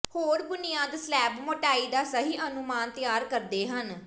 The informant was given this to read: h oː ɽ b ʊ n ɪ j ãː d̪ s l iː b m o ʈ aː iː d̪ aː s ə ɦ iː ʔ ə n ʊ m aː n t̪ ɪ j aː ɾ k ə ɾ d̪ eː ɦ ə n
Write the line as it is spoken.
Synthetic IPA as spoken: h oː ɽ b ʊ n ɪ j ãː d̪ s l ɛː b m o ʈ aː iː d̪ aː s ə ɦ iː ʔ ə n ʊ m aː n t̪ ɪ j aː ɾ k ə ɾ d̪ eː ɦ ə n